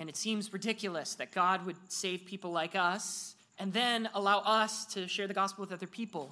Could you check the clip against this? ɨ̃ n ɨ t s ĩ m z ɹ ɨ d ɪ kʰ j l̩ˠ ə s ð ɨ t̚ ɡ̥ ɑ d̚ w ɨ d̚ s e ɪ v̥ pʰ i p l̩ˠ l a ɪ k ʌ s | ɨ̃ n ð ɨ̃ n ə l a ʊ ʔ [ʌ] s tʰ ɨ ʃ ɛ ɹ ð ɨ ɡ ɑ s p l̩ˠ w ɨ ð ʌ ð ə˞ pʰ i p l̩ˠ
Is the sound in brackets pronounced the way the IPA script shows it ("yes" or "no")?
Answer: yes